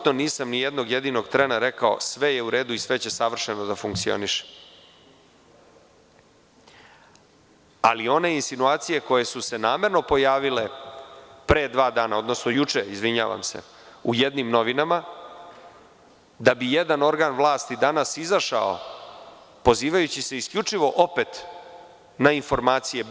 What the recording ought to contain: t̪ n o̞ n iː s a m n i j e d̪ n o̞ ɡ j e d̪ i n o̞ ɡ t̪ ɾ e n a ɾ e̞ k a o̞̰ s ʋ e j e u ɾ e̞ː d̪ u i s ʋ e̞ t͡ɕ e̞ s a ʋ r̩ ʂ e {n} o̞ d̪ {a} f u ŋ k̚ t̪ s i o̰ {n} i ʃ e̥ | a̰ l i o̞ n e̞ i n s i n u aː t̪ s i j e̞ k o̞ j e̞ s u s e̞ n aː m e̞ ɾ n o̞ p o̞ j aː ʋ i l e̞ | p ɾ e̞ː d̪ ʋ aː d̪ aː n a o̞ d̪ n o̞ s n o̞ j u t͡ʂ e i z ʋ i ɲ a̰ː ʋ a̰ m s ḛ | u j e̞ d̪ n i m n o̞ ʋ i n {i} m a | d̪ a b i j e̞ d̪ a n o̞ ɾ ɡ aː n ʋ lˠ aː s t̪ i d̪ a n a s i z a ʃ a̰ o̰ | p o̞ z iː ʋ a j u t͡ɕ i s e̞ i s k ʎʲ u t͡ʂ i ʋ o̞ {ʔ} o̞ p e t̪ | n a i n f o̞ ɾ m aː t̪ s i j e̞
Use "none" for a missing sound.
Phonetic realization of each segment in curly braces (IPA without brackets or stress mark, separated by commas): n, a, n, a, ʔ